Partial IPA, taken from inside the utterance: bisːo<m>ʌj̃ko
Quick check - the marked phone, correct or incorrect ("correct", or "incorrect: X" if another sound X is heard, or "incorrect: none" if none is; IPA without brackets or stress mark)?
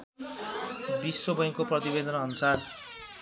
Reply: incorrect: b